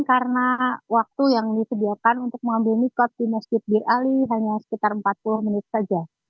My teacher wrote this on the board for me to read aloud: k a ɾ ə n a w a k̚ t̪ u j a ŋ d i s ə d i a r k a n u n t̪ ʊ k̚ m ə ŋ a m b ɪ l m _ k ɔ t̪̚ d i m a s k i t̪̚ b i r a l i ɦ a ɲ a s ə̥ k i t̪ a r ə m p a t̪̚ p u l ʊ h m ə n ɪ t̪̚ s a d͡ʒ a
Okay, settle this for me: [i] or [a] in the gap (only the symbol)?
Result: i